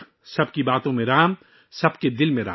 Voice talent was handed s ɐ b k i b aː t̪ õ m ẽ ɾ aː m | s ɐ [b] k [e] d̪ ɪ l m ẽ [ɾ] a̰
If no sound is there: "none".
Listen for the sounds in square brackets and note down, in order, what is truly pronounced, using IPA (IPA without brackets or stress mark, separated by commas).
b, e, ɾ